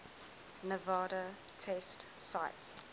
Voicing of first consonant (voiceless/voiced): voiced